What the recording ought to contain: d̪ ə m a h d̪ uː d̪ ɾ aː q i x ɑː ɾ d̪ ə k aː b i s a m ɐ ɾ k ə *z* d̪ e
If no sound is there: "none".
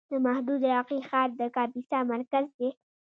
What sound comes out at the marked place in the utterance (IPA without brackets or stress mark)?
z